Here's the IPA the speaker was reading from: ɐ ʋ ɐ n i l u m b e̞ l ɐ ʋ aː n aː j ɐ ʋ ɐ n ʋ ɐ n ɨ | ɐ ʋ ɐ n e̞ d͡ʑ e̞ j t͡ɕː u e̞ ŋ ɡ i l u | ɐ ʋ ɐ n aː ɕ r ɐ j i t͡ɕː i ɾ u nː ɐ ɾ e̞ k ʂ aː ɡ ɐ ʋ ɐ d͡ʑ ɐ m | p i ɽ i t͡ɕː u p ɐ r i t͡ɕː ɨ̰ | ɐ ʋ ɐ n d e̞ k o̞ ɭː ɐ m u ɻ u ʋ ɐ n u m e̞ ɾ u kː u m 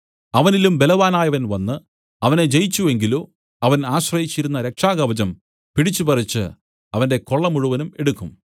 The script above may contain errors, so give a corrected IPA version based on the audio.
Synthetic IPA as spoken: ɐ ʋ ɐ n i l u m b e̞ l ɐ ʋ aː n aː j ɐ ʋ ɐ n ʋ ɐ nː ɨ | ɐ ʋ ɐ n e̞ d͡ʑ e̞ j t͡ɕː u e̞ ŋ ɡ i l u | ɐ ʋ ɐ n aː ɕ r ɐ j i t͡ɕː i ɾ u nː ɐ ɾ e̞ k ʂ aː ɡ ɐ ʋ ɐ d͡ʑ ɐ m | p i ɽ i t͡ɕː u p ɐ r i t͡ɕː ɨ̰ | ɐ ʋ ɐ n d e̞ k o̞ ɭː ɐ m u ɻ u ʋ ɐ n u m e̞ ɽ u kː u m